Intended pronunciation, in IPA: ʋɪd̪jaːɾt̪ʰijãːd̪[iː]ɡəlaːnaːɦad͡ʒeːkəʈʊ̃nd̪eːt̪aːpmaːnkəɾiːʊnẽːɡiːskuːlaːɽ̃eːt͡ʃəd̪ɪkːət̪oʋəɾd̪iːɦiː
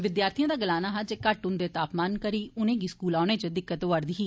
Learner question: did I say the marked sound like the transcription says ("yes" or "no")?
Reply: no